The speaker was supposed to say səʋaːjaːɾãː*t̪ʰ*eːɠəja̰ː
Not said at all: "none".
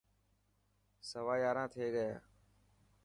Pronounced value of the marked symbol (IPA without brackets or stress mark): t̪ʰ